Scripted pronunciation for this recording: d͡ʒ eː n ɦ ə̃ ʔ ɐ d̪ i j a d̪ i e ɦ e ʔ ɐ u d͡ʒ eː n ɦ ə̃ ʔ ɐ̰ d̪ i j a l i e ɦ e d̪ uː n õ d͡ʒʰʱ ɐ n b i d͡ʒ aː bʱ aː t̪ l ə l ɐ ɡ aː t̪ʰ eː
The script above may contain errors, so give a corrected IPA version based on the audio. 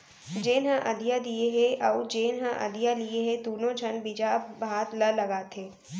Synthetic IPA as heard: d͡ʒ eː n ɦ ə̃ ʔ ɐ d̪ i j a d̪ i e ɦ e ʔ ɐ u d͡ʒ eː n ɦ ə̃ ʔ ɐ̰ d̪ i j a l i e ɦ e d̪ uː n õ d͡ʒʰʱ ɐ n b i d͡ʒ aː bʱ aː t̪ l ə l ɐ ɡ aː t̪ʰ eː

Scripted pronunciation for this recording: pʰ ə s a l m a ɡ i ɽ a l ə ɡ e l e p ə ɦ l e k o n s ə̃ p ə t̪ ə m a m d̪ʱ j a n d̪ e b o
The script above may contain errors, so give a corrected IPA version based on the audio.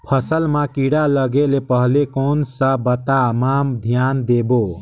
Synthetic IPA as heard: pʰ ə s ə l m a k i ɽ a l ə ɡ e l e p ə ɦ l e k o n s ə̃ b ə t̪ a m a m d̪ʱ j a n d̪ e b o

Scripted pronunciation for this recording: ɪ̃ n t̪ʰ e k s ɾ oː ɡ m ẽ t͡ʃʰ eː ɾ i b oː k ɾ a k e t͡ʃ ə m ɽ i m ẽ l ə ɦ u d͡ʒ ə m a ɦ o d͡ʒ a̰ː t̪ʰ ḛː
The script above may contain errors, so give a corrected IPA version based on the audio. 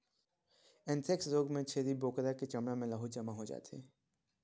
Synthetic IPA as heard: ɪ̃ n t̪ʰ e k s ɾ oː ɡ m ẽ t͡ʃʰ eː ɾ i b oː k ɾ a k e t͡ʃ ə m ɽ a m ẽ l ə ɦ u d͡ʒ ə m a ɦ o d͡ʒ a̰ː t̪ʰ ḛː

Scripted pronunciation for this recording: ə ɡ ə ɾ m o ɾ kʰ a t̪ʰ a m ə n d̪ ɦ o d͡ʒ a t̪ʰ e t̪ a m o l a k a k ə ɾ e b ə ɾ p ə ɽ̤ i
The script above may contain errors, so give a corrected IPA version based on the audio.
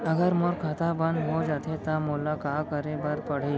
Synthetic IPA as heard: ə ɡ ə ɾ m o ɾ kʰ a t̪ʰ a b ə n d̪ ɦ o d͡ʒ a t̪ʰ e t̪ a m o l a k a k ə ɾ e b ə ɾ p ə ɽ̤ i

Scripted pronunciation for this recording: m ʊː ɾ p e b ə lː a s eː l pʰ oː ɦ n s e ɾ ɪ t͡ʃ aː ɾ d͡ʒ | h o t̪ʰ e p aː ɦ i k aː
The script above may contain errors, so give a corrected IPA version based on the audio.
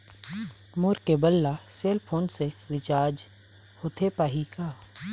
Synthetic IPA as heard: m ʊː ɾ k e b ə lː a s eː l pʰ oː n s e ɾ ɪ t͡ʃ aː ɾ d͡ʒ | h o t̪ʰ e p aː ɦ i k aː

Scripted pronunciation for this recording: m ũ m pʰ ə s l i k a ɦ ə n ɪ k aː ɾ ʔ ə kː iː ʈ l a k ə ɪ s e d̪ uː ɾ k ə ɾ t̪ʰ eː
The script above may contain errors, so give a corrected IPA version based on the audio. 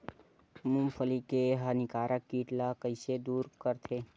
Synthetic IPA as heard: m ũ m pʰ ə l i k e ɦ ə n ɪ k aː ɾ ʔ ə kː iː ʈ l a k ə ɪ s e d̪ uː ɾ k ə ɾ t̪ʰ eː

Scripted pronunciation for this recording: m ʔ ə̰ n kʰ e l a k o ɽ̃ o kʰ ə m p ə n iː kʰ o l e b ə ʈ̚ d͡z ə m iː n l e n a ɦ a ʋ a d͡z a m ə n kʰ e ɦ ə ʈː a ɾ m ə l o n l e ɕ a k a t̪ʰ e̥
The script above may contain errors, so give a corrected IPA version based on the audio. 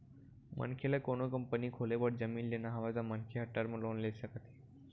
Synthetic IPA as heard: m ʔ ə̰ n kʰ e l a k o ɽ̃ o k ə m p ə n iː kʰ o l e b ə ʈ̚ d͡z ə m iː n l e n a ɦ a ʋ a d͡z a m ə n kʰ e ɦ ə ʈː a ɾ m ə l o n l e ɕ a k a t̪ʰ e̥

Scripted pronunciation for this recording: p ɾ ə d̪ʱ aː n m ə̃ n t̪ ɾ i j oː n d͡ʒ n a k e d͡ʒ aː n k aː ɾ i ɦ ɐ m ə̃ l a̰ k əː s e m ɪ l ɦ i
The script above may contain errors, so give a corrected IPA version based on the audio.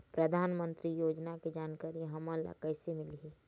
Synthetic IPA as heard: p ɾ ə d̪ʱ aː n m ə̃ n t̪ ɾ i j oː d͡ʒ n a k e d͡ʒ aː n k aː ɾ i ɦ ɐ m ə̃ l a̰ k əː s e m ɪ l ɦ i

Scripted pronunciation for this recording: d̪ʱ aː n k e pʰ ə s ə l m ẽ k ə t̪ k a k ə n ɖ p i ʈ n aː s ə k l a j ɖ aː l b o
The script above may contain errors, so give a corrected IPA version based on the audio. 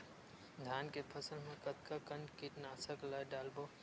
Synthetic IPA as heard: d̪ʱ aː n k e pʰ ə s ə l m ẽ k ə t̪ k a k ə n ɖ k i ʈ n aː s ə k l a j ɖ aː l b o

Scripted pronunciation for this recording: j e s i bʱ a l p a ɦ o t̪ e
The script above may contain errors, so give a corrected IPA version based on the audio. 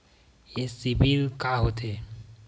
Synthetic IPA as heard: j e s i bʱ i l k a ɦ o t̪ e

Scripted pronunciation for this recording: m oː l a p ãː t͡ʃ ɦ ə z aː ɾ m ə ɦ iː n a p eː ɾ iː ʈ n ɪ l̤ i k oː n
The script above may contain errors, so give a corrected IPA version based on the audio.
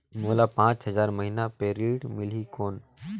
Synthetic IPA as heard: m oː l a p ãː t͡ʃ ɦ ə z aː ɾ m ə ɦ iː n a p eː ɾ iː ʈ m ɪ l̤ i k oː n

